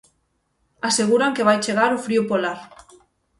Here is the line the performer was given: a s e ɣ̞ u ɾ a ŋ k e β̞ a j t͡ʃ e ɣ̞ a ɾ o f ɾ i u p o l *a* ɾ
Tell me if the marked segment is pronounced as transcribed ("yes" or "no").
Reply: yes